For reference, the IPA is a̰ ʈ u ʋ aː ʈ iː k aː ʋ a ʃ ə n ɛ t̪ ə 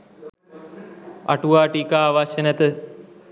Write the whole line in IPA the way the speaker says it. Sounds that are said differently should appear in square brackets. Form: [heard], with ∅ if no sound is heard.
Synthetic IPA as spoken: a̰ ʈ u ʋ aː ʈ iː k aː ʋ a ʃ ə n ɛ t̪ ə